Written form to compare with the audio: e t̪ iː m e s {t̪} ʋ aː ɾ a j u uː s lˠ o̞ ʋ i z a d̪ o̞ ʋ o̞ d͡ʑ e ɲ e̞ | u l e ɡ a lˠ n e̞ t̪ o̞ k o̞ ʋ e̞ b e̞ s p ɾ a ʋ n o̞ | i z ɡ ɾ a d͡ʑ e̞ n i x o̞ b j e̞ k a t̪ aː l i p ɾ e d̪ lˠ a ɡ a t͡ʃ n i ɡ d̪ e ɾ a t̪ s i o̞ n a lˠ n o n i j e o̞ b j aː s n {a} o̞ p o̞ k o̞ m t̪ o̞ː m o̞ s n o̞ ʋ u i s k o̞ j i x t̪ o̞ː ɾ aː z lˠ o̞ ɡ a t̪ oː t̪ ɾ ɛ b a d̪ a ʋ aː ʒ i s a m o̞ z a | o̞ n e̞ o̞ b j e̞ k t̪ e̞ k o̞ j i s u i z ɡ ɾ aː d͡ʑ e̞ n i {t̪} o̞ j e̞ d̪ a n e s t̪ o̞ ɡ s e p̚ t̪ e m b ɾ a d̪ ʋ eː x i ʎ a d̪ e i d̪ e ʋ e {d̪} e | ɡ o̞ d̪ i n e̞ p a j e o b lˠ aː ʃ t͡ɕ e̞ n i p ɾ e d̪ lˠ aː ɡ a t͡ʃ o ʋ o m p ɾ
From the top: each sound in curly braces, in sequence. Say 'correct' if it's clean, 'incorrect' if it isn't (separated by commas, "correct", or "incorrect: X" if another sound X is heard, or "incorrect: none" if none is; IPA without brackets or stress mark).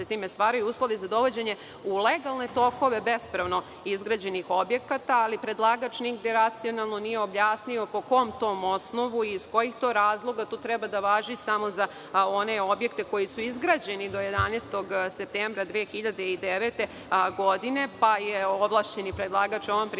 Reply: correct, incorrect: i, incorrect: d̪, incorrect: t̪